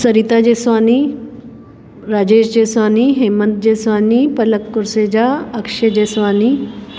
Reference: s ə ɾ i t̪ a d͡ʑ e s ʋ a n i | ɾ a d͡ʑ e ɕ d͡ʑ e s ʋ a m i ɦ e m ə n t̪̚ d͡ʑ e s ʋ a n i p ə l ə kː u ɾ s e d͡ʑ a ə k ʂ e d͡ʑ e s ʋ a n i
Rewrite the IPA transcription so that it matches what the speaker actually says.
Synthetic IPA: s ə ɾ i t̪ a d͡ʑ e s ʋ a n i | ɾ a d͡ʑ e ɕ d͡ʑ e s ʋ a n i ɦ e m ə n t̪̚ d͡ʑ e s ʋ a n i p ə l ə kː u ɾ s e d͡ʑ a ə k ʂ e d͡ʑ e s ʋ a n i